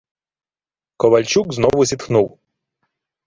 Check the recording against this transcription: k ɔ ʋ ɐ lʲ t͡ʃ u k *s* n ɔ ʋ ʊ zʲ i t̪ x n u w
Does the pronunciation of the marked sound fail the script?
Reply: yes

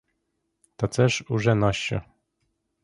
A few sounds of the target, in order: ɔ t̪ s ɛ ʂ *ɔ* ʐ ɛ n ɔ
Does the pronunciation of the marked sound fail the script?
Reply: yes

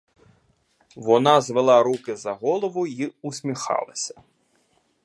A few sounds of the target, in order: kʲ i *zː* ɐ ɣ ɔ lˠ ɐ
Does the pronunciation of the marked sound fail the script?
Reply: yes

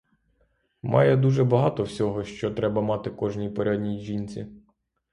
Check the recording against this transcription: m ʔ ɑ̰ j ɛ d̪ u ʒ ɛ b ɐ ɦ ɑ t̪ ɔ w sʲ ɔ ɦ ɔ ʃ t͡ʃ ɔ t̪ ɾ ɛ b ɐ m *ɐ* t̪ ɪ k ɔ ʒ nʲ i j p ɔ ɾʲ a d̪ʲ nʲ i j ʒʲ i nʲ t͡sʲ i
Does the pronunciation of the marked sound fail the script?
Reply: yes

